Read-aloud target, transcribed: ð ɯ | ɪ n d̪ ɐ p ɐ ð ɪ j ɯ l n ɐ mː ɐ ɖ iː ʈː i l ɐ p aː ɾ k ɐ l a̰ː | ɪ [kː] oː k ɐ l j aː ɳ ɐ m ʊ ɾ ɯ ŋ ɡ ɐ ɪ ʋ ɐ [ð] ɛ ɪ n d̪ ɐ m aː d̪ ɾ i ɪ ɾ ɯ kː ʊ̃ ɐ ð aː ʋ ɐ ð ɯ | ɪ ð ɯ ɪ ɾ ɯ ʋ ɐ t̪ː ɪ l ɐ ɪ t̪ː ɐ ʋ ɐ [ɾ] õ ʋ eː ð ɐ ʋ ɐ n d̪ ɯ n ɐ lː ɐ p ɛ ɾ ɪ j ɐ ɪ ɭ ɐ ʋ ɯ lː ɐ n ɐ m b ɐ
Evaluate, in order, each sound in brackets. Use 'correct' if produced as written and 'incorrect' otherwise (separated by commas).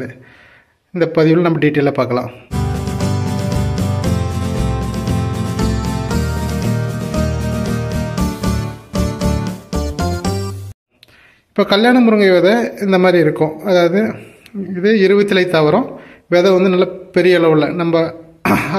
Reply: incorrect, correct, correct